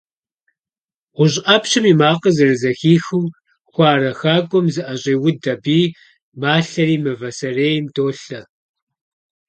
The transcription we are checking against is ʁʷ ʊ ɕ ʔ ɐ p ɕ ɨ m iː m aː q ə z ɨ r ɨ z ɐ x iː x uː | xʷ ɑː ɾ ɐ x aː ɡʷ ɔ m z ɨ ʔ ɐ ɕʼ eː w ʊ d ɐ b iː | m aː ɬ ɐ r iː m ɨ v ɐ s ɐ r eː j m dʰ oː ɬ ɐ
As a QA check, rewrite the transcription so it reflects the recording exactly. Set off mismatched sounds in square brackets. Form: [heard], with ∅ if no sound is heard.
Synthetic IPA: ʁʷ ʊ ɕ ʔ ɐ p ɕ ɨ m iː m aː q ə z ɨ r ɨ z ɐ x iː x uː | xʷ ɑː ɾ ɐ x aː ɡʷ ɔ m z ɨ ʔ ɐ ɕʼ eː w ʊ d ɐ b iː | m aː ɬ ɐ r iː m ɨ v ɐ s ɐ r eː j m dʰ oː ɬ ɐ